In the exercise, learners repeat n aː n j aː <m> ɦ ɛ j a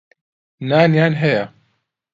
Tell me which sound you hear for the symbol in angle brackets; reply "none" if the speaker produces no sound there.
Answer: n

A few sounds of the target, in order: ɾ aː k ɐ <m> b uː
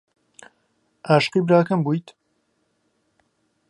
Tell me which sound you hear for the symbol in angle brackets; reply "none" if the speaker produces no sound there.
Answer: m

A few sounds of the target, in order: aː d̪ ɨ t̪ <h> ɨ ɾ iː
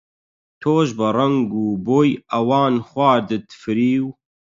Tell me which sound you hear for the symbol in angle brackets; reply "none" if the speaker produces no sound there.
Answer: f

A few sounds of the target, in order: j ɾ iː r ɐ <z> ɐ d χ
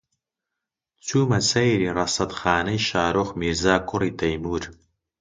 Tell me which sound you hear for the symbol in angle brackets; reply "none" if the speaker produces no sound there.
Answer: s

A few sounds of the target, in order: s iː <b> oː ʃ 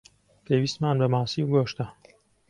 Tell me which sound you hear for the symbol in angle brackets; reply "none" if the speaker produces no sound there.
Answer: ɡ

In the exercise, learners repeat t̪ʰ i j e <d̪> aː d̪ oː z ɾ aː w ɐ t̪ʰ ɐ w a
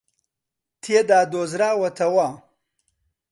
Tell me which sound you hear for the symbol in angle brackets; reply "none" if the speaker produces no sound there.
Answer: d̪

